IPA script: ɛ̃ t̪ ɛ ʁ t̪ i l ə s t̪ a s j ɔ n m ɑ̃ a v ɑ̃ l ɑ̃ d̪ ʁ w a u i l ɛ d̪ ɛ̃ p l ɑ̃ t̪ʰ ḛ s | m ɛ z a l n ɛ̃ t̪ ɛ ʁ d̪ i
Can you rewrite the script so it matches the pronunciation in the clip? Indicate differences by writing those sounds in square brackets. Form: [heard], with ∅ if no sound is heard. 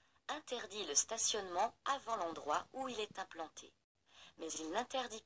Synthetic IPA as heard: ɛ̃ t̪ ɛ ʁ [d̪] i l ə s t̪ a s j ɔ n m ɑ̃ a v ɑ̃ l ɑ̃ d̪ ʁ w a u i l ɛ [t̪] ɛ̃ p l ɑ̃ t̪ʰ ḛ [∅] | m ɛ z [i] l n ɛ̃ t̪ ɛ ʁ d̪ i

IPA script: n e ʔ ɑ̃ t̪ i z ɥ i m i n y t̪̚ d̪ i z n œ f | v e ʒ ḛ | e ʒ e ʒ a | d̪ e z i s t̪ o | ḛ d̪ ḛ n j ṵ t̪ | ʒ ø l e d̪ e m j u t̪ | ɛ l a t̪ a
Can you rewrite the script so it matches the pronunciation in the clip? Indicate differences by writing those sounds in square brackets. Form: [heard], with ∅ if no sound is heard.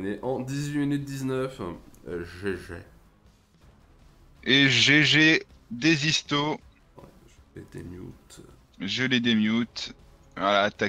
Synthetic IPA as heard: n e ʔ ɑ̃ [d̪] i z ɥ i m i n y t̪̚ d̪ i z n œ f | [ʒ] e ʒ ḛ | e ʒ e ʒ [e] | d̪ e z i s t̪ o | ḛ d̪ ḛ [m] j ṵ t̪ | ʒ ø l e d̪ e m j u t̪ | [a] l a t̪ a

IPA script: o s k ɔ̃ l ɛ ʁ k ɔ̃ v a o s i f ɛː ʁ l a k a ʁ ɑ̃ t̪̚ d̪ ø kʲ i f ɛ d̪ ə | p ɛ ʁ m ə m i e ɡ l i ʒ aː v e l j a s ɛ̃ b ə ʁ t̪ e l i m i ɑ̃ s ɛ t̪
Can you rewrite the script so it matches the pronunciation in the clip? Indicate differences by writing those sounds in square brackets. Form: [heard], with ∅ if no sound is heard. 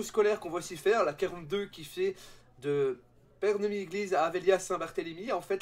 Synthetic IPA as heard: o s k [ɔ] l ɛ ʁ k ɔ̃ v a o s i f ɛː ʁ l a k a ʁ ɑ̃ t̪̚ d̪ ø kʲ i f ɛ d̪ ə | p ɛ ʁ [n] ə m i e ɡ l i [z] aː v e l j a s ɛ̃ b [a] ʁ t̪ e l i m i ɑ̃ [f] ɛ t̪

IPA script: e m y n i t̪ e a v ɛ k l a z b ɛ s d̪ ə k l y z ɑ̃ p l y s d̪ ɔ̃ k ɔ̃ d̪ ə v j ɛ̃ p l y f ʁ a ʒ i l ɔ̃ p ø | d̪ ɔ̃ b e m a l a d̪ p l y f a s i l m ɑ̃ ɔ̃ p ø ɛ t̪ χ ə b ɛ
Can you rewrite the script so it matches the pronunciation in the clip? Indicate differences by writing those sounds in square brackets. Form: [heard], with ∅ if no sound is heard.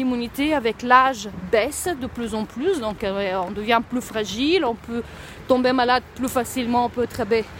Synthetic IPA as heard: [i] m y n i t̪ e a v ɛ k l a [ʒ] b ɛ s d̪ ə [p] l y z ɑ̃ p l y s d̪ ɔ̃ k ɔ̃ d̪ ə v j ɛ̃ p l y f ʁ a ʒ i l ɔ̃ p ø | [t̪] ɔ̃ b e m a l a d̪ p l y f a s i l m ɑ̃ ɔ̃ p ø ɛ t̪ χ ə b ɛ

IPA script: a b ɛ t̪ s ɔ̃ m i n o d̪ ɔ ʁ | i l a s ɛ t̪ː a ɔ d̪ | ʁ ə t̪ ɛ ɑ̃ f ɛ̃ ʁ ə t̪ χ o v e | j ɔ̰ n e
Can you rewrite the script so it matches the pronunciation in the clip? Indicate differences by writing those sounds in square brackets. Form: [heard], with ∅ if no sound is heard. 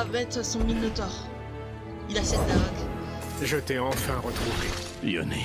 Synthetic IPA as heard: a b ɛ t̪ s ɔ̃ m i n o [t̪] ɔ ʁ | i l a s ɛ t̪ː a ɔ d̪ | [ʒ] ə t̪ ɛ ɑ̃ f ɛ̃ ʁ ə t̪ χ [u] v e | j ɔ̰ n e

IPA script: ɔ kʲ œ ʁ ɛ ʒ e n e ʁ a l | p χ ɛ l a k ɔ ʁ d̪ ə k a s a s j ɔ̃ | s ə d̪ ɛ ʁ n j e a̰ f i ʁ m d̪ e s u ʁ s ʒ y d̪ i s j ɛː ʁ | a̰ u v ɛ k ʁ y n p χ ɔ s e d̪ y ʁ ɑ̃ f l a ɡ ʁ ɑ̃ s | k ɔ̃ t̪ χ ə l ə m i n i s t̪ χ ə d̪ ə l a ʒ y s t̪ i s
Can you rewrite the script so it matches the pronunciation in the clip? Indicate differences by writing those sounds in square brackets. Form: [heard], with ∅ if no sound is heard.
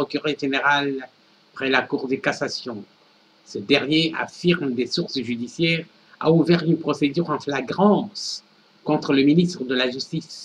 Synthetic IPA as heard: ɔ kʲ [y] ʁ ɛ ʒ e n e ʁ a l | p χ ɛ l a k [u] ʁ d̪ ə k a s a s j ɔ̃ | s ə d̪ ɛ ʁ n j e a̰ f i ʁ m d̪ e s u ʁ s ʒ y d̪ i s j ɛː ʁ | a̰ u v ɛ [∅] ʁ y n p χ ɔ s e d̪ y ʁ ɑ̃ f l a ɡ ʁ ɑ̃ s | k ɔ̃ t̪ χ ə l ə m i n i s t̪ χ ə d̪ ə l a ʒ y s t̪ i s

